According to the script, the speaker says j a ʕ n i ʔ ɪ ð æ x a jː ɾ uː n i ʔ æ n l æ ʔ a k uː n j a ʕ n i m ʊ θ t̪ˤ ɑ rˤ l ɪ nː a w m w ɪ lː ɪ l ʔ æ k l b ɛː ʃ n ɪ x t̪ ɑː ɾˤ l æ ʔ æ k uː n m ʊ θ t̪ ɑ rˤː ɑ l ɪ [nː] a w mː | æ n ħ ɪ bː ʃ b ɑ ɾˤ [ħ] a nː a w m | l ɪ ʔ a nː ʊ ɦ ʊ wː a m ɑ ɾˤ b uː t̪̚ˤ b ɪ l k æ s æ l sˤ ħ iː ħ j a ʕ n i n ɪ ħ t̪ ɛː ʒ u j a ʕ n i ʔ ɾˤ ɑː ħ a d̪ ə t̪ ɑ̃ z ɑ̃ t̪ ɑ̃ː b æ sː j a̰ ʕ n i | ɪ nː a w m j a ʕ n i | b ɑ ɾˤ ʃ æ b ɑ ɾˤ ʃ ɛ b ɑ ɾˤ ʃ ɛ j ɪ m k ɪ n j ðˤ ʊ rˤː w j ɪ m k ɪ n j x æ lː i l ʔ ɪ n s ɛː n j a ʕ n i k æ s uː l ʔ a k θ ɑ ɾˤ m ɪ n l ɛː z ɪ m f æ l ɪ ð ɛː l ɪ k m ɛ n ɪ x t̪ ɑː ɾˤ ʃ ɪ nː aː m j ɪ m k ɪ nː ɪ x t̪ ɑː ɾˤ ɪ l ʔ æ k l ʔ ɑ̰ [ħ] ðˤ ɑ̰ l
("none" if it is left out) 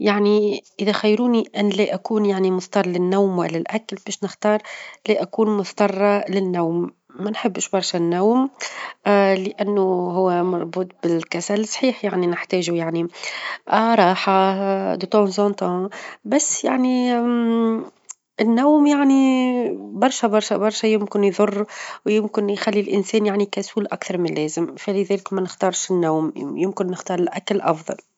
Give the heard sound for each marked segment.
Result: nː, ʃ, f

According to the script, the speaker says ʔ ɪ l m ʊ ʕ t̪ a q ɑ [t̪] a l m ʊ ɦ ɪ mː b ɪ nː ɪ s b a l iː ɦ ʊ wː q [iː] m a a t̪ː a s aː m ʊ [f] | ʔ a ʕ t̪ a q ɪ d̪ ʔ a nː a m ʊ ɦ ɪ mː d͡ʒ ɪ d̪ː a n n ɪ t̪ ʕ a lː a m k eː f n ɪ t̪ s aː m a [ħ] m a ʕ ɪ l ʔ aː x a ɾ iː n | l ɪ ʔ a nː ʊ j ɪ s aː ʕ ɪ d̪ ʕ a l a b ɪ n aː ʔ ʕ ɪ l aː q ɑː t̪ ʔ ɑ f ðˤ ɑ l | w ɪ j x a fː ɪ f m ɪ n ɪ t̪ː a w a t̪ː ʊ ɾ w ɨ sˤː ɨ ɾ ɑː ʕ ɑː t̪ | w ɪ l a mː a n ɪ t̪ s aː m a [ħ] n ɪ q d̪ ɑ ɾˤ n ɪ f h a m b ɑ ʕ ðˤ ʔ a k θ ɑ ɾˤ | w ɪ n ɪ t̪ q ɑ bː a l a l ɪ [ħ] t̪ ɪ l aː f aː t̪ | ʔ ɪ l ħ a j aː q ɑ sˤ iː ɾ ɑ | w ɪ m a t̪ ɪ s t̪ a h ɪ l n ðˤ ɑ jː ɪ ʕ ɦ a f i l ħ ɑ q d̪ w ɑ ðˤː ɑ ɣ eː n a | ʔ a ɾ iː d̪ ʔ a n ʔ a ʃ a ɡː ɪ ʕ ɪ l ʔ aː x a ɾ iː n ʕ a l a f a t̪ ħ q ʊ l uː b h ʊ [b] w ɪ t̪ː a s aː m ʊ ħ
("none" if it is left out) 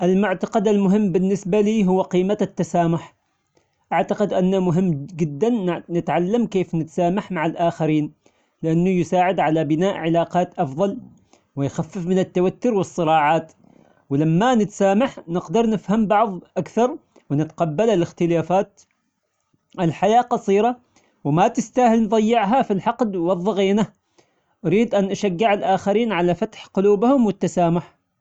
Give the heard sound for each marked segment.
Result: d̪, iː, ħ, ħ, ħ, x, m

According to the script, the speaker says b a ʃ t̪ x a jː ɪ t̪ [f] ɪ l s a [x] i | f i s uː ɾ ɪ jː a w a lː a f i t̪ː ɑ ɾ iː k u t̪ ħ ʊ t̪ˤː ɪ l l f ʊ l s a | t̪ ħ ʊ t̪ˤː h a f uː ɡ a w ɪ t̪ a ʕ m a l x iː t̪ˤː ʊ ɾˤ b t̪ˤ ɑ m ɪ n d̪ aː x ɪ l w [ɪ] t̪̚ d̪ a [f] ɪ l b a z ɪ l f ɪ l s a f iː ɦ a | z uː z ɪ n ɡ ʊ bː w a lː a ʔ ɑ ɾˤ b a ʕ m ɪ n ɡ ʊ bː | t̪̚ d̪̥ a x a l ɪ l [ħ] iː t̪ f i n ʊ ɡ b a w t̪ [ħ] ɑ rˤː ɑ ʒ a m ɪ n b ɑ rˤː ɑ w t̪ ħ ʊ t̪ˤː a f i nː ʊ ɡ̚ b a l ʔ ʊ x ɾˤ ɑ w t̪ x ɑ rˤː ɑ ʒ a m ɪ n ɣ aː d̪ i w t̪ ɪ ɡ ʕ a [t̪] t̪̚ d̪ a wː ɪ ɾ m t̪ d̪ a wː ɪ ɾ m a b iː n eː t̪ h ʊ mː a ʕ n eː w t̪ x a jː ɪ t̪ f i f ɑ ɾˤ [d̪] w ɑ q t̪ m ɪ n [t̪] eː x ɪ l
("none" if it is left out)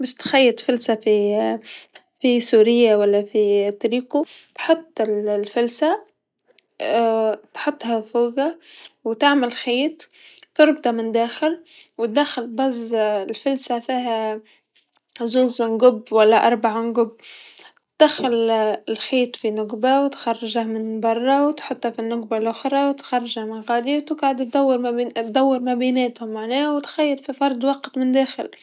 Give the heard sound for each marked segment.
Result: f, f, ɪ, x, x, x, d̪, d̪, d̪

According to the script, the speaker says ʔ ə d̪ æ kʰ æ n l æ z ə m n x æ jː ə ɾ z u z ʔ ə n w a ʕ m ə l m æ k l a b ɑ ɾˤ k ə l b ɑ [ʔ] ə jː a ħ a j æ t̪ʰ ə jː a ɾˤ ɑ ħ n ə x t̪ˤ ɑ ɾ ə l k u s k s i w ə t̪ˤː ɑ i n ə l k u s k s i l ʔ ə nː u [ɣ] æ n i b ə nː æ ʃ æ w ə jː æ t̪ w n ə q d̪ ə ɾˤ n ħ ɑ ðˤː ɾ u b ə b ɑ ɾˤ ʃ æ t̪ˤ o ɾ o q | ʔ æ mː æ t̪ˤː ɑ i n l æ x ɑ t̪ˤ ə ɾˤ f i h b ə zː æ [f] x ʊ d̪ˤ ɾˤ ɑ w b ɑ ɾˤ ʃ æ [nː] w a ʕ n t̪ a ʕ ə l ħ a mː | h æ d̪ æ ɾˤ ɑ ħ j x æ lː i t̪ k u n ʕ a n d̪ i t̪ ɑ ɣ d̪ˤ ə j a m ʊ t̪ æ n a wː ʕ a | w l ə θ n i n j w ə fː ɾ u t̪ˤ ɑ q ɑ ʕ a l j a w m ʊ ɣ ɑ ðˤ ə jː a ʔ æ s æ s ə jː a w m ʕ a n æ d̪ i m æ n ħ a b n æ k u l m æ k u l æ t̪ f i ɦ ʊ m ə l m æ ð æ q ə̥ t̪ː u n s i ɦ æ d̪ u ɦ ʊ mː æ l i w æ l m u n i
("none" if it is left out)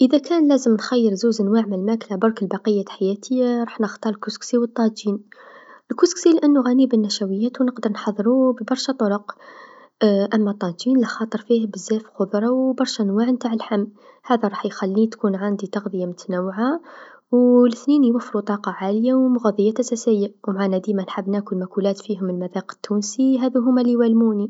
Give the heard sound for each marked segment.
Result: q, ɣ, f, n

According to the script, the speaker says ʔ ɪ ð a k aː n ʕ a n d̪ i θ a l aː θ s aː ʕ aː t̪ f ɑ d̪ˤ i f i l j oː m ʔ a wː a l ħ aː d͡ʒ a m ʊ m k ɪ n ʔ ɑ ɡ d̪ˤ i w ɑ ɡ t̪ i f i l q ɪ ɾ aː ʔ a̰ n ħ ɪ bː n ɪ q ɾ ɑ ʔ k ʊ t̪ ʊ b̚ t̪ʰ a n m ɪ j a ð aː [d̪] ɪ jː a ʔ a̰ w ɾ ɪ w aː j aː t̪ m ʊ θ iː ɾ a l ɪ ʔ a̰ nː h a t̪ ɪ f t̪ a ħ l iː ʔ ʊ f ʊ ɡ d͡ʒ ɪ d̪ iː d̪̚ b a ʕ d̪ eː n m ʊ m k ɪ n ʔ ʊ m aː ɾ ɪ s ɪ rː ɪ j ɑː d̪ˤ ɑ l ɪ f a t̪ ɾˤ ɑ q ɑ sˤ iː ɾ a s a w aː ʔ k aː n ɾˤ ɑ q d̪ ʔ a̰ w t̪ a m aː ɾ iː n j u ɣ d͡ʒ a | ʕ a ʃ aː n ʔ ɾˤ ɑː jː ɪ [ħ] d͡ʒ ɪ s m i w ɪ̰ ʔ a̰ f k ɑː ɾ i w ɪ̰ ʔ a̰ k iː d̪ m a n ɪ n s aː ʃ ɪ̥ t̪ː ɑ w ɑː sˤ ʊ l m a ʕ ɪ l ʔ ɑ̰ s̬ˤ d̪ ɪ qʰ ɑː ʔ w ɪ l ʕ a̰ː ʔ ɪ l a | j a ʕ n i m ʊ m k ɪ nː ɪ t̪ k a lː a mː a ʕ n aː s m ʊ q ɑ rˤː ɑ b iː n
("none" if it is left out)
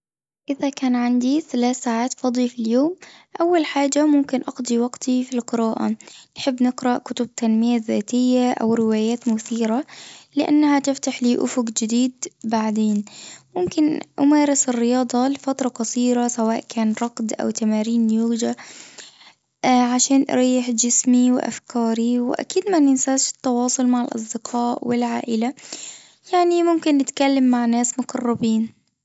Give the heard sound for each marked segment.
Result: t̪, ħ

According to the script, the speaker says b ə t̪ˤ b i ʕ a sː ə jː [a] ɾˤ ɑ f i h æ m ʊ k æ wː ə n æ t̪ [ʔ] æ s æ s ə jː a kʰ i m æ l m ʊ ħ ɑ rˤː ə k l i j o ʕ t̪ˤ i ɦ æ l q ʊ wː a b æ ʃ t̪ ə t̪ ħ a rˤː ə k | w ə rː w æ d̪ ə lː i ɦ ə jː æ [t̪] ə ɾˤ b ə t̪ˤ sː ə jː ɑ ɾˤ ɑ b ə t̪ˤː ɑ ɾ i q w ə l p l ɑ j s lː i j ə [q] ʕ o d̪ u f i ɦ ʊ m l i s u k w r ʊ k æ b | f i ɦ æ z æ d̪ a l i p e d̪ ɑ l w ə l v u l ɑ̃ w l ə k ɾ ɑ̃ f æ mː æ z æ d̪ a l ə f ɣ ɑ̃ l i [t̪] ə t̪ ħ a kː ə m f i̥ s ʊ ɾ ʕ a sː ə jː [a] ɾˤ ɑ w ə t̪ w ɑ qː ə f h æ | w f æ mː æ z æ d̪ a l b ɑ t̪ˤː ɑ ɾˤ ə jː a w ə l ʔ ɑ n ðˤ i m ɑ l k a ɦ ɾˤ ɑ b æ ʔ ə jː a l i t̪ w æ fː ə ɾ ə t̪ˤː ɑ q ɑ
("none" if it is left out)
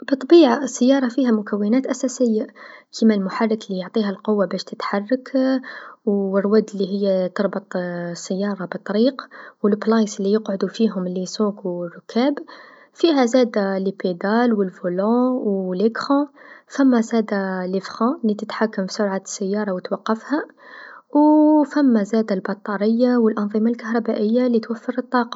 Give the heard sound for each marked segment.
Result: ɑ, ʔ, t̪, q, t̪, ɑ

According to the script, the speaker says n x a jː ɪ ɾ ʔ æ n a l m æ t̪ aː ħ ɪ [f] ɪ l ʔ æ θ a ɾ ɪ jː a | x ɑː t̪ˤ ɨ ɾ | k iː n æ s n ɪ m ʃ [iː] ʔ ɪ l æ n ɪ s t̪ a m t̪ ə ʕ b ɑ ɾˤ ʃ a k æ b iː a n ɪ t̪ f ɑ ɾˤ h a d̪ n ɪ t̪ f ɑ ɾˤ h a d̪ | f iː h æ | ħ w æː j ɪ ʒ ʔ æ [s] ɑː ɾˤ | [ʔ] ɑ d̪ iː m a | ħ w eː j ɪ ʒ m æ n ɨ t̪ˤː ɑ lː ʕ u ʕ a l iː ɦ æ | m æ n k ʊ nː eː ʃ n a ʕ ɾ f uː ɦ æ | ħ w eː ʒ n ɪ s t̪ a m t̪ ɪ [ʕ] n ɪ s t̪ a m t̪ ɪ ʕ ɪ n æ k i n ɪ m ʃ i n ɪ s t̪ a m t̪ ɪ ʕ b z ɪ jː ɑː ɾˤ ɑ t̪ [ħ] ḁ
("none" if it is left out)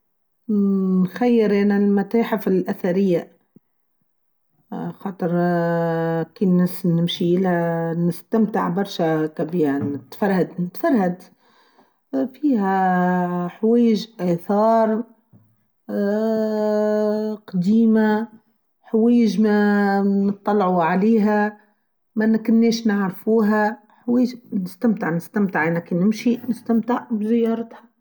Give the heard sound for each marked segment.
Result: f, i, θ, q, ʕ, h

